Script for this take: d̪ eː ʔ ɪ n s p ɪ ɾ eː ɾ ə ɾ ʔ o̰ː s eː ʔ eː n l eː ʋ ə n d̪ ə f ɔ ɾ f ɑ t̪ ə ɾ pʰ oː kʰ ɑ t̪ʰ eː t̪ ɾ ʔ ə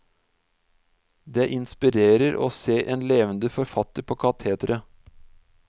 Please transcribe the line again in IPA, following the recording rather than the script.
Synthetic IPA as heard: d̪ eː ʔ ɪ n s p ɪ ɾ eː ɾ ə ɾ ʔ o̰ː s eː ʔ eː n l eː ʋ ə n d̪ ə f ɔ ɾ f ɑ t̪ ə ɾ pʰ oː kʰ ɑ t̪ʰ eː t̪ ɾ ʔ ə